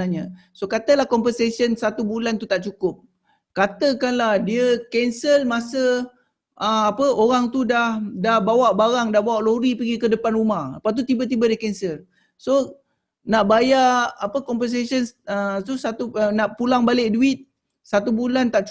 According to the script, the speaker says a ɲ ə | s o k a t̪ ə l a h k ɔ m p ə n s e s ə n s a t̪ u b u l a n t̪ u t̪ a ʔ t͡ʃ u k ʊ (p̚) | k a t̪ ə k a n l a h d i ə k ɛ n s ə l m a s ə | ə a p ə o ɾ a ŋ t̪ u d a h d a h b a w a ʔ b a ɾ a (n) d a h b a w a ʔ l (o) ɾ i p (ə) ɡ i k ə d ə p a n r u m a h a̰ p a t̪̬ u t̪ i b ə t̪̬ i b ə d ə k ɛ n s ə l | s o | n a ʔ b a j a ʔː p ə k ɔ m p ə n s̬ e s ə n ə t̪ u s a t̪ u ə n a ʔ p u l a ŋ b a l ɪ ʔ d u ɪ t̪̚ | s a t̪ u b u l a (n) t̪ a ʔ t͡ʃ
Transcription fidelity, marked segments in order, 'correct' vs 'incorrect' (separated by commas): correct, incorrect, correct, correct, correct